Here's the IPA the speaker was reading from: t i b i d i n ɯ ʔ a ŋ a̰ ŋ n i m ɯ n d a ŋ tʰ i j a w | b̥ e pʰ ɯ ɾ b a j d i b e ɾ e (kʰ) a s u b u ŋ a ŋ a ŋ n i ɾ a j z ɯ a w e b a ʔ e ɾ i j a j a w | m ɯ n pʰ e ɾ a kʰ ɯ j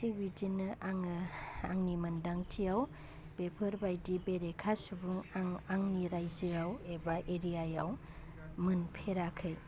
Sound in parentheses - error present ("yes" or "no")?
no